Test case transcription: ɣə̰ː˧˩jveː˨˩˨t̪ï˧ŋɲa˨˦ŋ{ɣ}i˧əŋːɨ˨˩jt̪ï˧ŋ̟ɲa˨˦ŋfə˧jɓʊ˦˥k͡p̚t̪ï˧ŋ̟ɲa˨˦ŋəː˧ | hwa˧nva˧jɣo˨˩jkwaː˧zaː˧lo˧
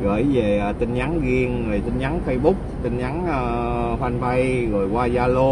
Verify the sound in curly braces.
correct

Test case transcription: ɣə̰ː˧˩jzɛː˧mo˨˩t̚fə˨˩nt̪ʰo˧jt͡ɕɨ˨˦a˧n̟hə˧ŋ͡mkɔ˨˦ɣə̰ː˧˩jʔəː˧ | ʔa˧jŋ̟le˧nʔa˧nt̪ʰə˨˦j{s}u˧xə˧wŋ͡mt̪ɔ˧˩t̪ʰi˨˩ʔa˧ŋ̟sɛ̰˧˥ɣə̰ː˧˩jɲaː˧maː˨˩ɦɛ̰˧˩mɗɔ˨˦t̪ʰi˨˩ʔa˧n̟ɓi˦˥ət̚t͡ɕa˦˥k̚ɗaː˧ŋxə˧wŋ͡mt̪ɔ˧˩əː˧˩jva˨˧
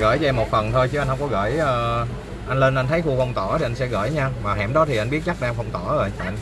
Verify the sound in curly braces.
incorrect: x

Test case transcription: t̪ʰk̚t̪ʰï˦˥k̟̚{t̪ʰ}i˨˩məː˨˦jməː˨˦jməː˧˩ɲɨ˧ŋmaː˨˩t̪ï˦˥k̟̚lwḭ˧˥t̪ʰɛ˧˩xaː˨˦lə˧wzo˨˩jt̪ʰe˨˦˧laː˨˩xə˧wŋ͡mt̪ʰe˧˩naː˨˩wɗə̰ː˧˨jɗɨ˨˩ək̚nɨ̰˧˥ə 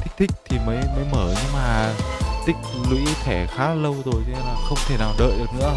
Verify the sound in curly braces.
correct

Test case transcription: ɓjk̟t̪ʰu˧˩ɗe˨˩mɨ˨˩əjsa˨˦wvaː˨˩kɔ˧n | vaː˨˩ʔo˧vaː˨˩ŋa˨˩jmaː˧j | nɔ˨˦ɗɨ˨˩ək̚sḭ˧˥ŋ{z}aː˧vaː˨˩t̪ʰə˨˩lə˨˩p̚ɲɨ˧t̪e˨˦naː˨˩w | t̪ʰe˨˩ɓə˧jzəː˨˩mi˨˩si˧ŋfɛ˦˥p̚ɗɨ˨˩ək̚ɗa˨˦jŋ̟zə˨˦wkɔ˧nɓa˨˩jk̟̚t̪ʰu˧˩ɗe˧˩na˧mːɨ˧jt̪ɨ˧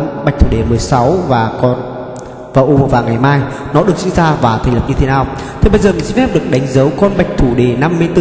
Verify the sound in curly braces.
correct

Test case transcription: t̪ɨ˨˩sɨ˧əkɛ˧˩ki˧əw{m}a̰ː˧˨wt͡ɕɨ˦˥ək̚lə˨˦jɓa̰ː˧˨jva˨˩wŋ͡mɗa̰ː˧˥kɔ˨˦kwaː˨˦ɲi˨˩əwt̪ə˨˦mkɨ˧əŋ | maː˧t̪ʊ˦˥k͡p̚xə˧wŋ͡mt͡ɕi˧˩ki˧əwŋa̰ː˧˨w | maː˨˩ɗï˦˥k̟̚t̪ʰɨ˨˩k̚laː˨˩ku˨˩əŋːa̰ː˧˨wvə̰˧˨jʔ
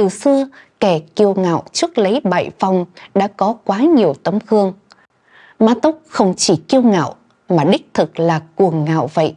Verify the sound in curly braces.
incorrect: ŋ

